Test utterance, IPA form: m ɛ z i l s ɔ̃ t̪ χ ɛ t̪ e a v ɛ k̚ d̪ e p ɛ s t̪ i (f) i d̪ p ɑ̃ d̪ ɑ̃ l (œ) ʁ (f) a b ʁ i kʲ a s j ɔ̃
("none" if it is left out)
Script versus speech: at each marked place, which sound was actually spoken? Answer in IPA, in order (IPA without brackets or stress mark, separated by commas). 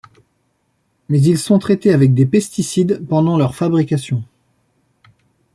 s, œ, f